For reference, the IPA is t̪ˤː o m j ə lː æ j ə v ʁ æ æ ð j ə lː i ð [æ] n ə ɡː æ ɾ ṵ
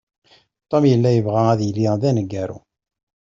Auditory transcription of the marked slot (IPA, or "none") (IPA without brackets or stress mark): æ